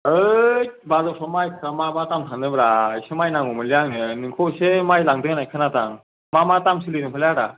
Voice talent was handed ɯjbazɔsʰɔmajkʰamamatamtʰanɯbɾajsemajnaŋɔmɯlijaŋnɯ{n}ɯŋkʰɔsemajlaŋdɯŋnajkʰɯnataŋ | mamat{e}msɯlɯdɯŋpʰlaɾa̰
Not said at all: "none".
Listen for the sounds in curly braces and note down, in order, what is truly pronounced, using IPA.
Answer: n, a

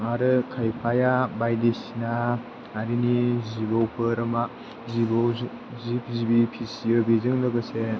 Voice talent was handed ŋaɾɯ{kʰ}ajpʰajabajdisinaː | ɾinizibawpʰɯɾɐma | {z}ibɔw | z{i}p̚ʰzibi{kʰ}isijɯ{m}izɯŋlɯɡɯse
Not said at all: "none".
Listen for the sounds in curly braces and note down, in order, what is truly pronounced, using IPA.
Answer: kʰ, z, i, pʰ, b

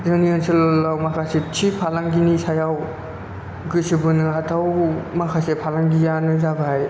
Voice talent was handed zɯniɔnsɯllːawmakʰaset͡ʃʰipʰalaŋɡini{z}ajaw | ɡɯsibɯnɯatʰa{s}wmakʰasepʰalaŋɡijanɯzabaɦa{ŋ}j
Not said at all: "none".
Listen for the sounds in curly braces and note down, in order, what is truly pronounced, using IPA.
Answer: s, none, none

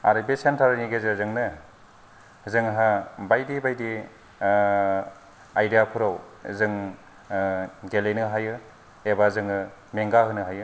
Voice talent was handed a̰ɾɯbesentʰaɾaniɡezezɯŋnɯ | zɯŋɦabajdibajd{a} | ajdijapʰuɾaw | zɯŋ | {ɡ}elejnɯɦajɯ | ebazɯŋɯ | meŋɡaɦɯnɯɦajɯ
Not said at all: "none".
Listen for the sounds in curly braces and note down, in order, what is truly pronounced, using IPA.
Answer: i, ɡ

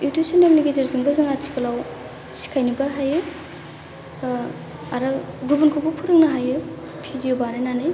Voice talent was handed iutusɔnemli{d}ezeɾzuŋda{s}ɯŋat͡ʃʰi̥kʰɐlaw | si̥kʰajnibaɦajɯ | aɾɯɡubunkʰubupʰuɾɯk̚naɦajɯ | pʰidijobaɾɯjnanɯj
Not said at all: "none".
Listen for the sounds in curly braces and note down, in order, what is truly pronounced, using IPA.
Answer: ɡ, z

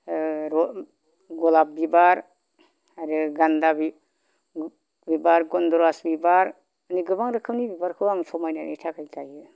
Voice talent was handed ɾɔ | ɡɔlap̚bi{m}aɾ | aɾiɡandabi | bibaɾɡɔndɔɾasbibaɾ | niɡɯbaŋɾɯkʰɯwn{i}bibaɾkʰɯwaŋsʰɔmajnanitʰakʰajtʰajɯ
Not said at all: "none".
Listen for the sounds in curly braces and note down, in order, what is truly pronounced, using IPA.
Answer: b, i

